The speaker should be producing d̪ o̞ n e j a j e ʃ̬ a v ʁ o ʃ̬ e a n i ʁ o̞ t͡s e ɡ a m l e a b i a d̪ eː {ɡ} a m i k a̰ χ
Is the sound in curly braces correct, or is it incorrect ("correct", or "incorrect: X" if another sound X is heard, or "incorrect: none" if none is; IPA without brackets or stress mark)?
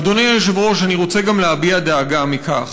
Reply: correct